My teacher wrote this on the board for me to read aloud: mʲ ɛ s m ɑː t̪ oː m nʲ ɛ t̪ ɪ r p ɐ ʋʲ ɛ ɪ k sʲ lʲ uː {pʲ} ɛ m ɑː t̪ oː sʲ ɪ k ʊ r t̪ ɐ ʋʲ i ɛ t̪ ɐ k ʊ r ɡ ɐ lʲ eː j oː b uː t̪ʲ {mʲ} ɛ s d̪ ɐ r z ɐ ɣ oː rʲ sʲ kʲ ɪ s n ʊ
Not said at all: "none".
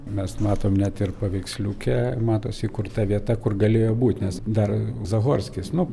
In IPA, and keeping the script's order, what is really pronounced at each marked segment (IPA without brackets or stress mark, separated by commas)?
kʲ, nʲ